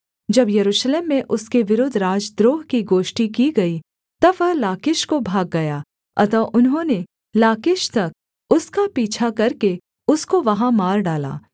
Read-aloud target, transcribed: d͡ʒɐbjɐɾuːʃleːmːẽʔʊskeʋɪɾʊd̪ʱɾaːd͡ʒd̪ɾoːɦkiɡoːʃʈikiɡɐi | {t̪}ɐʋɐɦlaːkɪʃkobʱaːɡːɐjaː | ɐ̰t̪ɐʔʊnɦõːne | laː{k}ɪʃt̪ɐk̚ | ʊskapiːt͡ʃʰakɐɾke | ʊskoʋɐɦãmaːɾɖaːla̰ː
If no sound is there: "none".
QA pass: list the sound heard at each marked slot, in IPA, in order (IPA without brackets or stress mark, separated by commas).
t̪, k